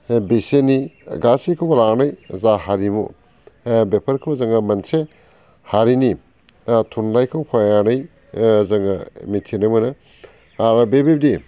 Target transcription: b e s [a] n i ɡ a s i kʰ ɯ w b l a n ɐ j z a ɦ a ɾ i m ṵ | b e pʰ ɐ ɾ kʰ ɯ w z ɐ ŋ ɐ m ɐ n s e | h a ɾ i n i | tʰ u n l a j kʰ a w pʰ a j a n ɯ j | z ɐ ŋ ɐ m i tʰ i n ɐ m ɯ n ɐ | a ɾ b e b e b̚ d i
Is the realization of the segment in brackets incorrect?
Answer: yes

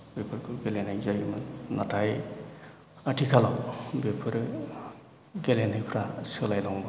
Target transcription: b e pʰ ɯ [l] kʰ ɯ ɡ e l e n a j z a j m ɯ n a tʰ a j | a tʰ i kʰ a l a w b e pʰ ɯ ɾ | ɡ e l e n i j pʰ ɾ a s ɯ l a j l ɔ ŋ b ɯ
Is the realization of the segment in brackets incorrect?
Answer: yes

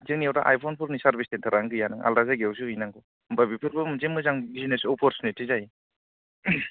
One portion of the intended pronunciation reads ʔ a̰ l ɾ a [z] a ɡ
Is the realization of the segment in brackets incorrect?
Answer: no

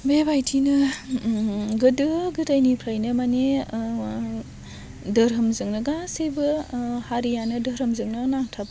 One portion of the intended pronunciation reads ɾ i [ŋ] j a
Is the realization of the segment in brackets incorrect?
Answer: yes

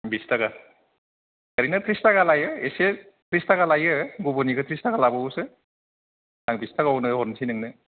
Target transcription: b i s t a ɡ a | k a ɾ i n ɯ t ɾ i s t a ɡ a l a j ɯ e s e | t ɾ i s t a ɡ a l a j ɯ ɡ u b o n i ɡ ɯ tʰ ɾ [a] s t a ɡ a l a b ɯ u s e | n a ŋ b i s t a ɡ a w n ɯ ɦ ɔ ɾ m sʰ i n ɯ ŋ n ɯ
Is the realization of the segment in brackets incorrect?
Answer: yes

